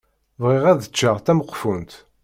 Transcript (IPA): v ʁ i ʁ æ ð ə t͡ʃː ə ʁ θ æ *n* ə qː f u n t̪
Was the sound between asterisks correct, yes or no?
no